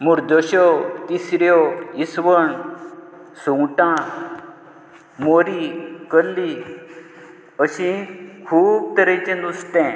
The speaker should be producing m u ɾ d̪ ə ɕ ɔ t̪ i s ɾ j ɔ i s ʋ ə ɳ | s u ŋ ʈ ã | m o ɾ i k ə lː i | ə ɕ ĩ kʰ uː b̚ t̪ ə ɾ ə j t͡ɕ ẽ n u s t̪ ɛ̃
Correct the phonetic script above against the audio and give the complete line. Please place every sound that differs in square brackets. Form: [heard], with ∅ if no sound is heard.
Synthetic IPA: m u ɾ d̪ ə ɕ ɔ t̪ i s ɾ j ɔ i s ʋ ə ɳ | s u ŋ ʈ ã | m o ɾ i k ə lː i | ə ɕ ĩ kʰ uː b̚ t̪ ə ɾ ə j t͡ɕ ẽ n u s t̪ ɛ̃